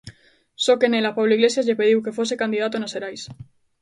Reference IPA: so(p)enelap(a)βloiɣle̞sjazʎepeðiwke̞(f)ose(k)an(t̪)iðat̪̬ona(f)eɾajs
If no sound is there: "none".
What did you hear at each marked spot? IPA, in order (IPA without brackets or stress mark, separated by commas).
k, a, f, k, d̪, s